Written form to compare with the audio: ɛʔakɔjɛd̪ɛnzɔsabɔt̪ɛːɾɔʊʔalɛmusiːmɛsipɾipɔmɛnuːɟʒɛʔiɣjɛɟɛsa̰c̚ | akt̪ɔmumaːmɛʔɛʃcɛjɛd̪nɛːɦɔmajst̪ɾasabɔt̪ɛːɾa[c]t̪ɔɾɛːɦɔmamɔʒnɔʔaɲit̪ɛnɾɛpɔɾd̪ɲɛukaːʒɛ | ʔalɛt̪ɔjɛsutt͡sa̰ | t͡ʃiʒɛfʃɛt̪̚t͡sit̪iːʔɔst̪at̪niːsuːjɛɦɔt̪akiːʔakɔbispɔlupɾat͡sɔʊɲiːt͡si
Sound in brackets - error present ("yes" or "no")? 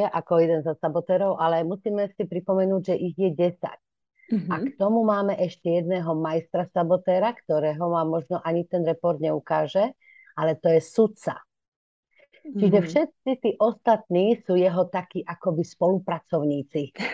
yes